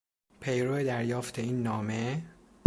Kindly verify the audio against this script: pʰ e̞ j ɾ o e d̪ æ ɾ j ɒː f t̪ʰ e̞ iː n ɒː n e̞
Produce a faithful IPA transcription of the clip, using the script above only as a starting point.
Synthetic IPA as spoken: pʰ e̞ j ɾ o e d̪ æ ɾ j ɒː f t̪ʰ e̞ iː nː ɒː m e̞

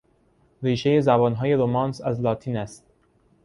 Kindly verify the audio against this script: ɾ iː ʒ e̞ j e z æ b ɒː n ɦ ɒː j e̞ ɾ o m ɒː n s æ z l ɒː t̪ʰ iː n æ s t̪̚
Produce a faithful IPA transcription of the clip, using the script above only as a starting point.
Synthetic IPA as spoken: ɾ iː ʃ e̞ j e z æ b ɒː n ɦ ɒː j e̞ ɾ o m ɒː n s æ z l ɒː t̪ʰ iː n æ s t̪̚

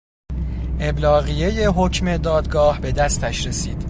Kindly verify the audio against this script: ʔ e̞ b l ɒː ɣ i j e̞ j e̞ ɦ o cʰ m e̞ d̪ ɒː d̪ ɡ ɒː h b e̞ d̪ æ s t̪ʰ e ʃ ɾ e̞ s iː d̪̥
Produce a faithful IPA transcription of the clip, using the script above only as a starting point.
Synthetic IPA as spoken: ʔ e̞ b l ɒː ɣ i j e̞ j e̞ ɦ o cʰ m e̞ d̪ ɒː d̪ ɡ ɒː h b e̞ d̪ æ s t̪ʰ æ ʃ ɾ e̞ s iː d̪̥

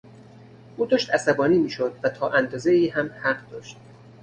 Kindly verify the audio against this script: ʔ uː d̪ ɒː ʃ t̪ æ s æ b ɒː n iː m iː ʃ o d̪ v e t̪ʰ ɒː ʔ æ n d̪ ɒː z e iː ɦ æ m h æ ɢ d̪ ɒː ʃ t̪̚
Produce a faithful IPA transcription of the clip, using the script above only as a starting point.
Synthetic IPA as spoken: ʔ uː d̪ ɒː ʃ t̪ æ s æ b ɒː n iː m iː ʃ o d̪ v æ t̪ʰ ɒː ʔ æ n d̪ ɒː z e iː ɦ æ m h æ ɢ d̪ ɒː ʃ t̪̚

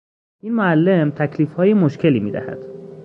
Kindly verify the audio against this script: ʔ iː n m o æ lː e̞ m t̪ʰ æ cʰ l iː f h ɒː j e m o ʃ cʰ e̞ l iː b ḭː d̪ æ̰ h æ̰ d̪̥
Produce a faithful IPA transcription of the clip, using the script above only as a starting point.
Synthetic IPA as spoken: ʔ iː n m o æ lː e̞ m t̪ʰ æ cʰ l iː f h ɒː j e m o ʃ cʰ e̞ l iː m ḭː d̪ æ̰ h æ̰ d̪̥

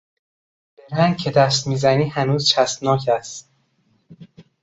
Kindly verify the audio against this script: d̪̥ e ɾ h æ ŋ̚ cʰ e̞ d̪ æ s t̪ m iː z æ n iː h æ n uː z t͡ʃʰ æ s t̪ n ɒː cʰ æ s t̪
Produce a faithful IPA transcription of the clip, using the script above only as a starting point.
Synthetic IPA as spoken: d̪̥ e ɾ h æ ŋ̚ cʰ e̞ d̪ æ s t̪ m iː z æ n iː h æ n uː z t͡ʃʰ æ s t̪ n ɒː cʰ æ s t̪

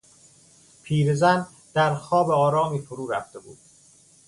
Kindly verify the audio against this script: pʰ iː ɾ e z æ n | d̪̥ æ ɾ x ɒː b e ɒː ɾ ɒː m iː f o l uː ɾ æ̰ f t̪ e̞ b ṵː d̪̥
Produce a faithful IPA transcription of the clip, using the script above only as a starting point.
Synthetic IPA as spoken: pʰ iː ɾ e z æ n | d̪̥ æ ɾ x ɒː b e ɒː ɾ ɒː m iː f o ɾ uː ɾ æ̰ f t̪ e̞ b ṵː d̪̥

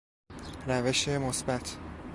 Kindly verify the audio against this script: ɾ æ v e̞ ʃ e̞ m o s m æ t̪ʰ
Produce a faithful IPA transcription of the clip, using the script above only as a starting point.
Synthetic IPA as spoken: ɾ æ v e̞ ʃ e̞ m o s b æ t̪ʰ

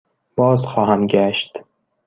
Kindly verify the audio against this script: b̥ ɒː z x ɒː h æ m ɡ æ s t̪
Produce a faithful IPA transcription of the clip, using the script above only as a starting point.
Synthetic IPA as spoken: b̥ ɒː z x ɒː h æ m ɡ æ ʃ t̪

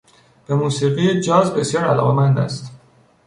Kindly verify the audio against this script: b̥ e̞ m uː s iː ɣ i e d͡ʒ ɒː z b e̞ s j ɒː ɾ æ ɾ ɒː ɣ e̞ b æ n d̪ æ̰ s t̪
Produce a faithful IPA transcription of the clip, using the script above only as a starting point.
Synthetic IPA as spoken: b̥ e̞ m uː s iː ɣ i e d͡ʒ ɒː z b e̞ s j ɒː ɾ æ l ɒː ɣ e̞ m æ n d̪ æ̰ s t̪

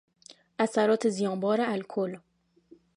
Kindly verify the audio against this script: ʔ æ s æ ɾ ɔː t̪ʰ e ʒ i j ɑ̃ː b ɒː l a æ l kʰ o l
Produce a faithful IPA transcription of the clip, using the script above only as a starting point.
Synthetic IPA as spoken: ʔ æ s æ ɾ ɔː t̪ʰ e z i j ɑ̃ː b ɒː ɾ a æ l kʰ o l

